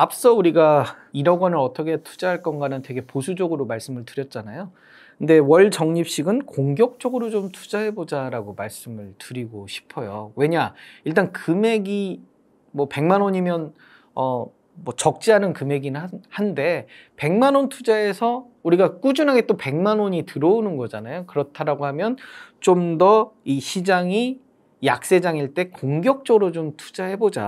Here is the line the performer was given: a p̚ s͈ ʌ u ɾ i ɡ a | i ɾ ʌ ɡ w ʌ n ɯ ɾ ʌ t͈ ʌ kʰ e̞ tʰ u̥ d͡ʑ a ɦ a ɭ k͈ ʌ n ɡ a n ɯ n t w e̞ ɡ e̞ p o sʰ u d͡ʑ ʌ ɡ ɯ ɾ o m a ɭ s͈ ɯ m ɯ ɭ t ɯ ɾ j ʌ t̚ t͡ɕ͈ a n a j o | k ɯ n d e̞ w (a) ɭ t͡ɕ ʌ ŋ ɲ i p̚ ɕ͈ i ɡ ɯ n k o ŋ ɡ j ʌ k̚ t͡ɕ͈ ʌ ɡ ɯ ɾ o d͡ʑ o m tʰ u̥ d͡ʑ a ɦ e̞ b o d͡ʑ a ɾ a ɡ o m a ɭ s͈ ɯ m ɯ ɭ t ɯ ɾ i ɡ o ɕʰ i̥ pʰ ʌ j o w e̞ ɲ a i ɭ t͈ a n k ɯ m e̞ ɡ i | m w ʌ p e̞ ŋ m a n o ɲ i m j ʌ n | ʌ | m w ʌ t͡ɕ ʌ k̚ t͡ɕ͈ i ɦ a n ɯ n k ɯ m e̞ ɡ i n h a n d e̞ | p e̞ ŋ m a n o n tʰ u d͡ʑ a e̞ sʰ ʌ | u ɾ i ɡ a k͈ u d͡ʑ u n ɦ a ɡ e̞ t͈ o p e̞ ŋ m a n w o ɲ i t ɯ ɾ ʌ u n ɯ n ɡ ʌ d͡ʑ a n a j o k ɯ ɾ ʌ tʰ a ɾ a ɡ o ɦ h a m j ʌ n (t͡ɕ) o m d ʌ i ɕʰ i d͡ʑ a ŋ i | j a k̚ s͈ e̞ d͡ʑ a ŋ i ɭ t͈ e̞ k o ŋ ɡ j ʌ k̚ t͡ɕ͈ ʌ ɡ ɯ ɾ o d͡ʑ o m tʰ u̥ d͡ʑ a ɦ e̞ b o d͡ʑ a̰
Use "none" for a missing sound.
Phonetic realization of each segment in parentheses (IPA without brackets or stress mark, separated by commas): ʌ, t͡ɕ